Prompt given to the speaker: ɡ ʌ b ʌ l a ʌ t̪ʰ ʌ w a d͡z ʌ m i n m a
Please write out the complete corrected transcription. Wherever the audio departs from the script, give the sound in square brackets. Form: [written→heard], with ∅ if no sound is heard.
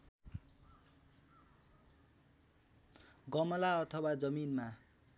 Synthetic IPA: ɡ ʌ [b→m] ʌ l a ʌ t̪ʰ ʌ w a d͡z ʌ m i n m a